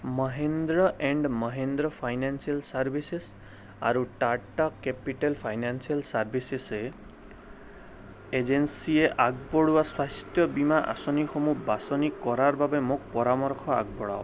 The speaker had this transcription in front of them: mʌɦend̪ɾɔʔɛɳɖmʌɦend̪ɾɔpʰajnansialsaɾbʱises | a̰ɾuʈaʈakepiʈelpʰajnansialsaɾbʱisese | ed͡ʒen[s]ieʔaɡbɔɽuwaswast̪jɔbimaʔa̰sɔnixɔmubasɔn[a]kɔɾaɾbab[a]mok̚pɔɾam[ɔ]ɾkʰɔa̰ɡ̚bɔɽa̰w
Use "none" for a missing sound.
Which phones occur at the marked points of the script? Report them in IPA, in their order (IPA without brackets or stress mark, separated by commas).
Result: s, i, e, ɔ